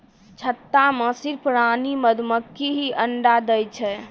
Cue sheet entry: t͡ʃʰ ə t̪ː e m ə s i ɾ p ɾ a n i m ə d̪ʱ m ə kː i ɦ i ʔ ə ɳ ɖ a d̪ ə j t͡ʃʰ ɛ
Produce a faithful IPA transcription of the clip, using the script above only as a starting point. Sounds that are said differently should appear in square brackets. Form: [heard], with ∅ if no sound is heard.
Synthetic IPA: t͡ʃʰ ə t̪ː [a] m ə s i ɾ p ɾ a n i m ə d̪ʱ m ə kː i ɦ i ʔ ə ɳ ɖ a d̪ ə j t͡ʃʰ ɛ